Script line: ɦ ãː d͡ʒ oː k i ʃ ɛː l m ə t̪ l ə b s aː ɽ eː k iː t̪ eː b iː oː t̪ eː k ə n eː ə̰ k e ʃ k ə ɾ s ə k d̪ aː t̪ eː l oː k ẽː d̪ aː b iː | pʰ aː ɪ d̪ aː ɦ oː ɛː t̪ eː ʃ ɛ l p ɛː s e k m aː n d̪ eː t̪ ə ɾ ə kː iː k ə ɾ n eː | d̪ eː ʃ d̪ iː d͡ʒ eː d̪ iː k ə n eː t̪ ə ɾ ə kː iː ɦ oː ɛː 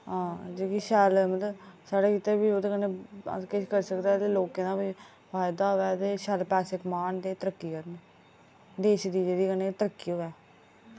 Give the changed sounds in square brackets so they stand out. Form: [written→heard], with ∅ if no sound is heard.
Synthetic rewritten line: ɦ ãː d͡ʒ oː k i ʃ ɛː l m ə t̪ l ə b s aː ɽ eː k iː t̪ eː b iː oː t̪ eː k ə n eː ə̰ k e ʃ k ə ɾ s ə k d̪ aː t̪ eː l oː k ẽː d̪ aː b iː | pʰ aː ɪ d̪ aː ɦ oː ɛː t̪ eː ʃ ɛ l p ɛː s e k m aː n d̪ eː t̪ ə ɾ ə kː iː k ə ɾ n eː | d̪ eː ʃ d̪ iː d͡ʒ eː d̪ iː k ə n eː t̪ ə ɾ ə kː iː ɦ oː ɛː